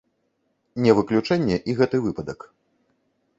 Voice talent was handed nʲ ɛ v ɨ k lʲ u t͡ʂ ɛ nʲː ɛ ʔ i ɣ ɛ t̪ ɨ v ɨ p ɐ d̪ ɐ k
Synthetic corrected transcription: nʲ ɛ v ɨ k lʲ u t͡ʂ ɛ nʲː ɛ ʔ i ɣ ɛ t̪ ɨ v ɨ p ɐ d̪ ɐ k